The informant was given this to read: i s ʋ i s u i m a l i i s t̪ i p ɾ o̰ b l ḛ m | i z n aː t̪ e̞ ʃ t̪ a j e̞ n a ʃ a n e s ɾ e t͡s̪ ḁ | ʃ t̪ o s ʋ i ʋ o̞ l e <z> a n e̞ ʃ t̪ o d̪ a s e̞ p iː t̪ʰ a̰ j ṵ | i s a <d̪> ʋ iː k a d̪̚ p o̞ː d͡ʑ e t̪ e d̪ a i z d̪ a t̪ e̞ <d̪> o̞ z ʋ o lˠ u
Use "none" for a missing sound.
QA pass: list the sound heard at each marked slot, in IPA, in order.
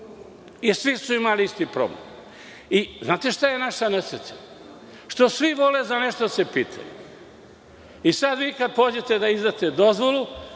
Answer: z, d̪, d̪

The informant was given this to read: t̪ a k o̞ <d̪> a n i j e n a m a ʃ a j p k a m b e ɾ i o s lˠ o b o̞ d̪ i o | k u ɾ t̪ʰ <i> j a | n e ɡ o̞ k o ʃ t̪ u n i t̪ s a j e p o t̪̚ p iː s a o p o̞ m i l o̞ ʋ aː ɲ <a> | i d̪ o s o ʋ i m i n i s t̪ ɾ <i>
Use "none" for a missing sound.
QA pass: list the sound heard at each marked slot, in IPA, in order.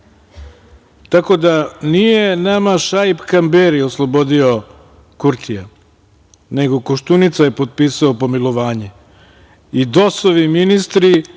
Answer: d̪, i, e, i

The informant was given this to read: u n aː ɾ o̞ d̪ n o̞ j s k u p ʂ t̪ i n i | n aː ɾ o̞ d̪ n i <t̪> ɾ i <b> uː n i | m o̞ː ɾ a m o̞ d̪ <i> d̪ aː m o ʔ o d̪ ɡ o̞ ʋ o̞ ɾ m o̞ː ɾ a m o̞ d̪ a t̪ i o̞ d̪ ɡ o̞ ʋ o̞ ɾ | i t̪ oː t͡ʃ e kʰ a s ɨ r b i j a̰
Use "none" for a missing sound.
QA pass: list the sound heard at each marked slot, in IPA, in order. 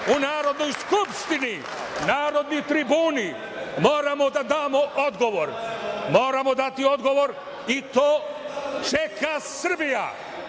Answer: t̪, b, a

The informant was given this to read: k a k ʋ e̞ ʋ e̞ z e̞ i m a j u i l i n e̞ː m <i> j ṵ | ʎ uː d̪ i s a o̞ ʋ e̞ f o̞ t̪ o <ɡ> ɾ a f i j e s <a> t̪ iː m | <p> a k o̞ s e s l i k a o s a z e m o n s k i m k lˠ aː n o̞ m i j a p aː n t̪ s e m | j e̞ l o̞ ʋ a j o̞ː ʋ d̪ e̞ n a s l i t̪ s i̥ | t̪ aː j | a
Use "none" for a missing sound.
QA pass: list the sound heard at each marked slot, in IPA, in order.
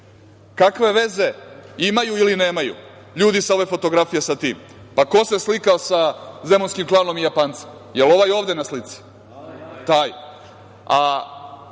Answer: a, ɡ, a, p

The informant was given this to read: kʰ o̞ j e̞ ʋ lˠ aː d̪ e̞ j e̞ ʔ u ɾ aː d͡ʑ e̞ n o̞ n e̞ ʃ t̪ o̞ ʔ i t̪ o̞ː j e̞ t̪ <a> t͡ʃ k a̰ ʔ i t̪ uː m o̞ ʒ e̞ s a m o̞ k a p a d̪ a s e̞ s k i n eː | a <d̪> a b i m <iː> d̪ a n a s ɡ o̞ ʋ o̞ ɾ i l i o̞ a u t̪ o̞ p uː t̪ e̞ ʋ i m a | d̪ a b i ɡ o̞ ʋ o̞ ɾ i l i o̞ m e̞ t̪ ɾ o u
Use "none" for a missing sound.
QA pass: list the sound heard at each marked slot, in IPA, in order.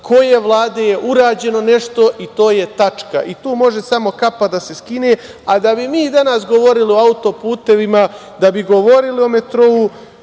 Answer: a, d̪, iː

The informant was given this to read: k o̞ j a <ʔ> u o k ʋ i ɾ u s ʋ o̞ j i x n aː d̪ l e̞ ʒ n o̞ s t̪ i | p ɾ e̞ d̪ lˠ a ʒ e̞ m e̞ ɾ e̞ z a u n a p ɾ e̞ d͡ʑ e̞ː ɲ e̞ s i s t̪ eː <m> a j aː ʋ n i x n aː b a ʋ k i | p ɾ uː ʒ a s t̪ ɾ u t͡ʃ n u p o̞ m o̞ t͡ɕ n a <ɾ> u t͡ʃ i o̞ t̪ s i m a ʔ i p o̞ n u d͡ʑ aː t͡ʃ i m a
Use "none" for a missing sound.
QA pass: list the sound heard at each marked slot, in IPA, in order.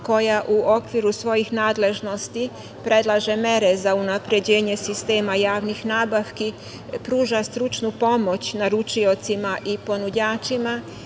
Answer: ʔ, m, ɾ

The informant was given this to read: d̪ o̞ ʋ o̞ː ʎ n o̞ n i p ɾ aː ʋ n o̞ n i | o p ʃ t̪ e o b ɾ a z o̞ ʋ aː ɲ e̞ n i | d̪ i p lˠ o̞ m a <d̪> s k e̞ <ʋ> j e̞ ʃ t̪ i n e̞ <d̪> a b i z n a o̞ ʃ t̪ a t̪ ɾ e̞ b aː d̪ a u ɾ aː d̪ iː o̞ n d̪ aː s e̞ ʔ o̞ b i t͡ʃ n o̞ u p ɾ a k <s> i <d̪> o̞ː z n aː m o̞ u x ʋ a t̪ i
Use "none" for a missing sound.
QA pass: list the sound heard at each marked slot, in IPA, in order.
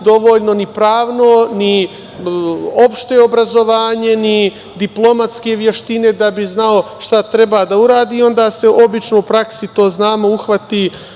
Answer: t̪, ʋ, d̪, s, t̪

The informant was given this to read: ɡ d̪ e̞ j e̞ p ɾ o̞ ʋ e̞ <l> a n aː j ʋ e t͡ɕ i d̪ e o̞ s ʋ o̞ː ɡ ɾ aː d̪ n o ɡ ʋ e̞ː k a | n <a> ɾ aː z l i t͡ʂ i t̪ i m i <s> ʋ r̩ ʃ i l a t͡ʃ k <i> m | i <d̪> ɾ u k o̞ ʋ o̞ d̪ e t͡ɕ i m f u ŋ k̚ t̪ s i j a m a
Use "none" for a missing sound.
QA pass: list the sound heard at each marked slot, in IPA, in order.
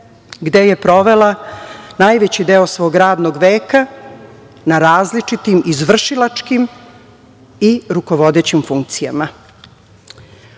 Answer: l, a, z, i, none

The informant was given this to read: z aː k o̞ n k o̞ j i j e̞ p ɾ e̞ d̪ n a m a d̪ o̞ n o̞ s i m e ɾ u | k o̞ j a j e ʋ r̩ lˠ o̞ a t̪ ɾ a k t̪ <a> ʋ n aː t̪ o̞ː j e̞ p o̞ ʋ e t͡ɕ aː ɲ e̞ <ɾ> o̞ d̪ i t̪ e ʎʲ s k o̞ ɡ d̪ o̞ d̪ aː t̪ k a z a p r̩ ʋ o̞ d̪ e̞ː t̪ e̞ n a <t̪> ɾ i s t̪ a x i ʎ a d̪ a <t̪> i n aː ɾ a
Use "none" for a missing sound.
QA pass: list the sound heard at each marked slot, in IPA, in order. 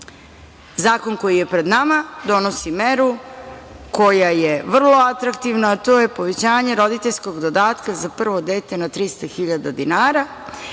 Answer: i, ɾ, t̪, d̪

